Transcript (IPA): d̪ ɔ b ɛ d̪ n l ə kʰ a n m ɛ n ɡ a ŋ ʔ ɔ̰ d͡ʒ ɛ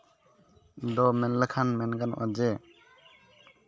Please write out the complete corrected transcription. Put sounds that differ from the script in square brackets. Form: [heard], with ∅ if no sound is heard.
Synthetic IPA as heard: d̪ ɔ [m] ɛ [∅] n l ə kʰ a n m ɛ n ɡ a [n] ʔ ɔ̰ d͡ʒ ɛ